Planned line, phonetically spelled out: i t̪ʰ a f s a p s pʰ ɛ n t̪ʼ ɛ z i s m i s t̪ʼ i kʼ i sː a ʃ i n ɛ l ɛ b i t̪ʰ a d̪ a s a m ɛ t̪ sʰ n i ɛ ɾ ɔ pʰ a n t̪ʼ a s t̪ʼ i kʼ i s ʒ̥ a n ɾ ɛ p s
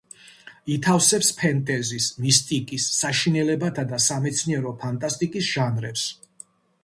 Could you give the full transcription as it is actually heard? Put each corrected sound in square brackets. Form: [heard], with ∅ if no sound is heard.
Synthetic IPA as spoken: i t̪ʰ a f s [ɛ] p s pʰ ɛ n t̪ʼ ɛ z i s m i s t̪ʼ i kʼ i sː a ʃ i n ɛ l ɛ b [a] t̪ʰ a d̪ a s a m ɛ t̪ sʰ n i ɛ ɾ ɔ pʰ a n t̪ʼ a s t̪ʼ i kʼ i s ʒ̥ a n ɾ ɛ p s